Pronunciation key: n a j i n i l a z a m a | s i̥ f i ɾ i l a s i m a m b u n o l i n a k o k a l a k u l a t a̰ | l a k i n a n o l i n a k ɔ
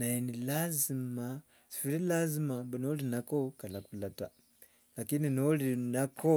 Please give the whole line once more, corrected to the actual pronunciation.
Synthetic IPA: n a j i n i l a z i m a | s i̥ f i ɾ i l a z i m a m b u n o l i n a k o k a l a k u l a t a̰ | l a k i n i n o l i n a k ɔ